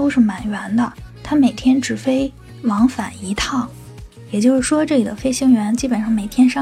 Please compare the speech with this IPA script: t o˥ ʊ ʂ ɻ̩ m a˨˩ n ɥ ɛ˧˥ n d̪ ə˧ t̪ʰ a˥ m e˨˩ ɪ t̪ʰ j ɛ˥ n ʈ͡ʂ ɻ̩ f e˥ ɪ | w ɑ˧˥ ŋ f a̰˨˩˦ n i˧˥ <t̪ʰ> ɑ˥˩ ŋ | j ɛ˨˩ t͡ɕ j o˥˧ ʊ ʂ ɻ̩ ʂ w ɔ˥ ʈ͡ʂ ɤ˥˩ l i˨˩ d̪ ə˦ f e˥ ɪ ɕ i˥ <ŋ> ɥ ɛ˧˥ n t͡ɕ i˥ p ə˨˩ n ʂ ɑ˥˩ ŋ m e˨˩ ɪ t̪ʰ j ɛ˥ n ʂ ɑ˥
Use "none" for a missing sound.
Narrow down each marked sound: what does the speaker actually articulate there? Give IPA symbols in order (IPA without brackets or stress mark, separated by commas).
t̪ʰ, ŋ